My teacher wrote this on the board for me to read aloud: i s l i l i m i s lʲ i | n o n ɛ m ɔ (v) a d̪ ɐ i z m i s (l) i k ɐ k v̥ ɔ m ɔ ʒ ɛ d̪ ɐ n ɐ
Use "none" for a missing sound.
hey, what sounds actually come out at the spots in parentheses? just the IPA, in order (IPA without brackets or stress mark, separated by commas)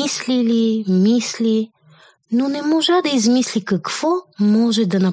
ʒ, l